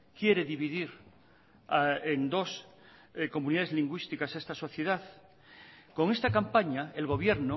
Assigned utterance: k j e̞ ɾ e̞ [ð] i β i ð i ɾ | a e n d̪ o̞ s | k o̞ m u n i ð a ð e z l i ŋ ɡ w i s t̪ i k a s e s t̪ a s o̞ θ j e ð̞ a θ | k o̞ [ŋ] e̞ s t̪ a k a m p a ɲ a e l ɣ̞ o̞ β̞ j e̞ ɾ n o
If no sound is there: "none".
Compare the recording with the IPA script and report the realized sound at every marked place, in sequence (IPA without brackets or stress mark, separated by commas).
ð, ŋ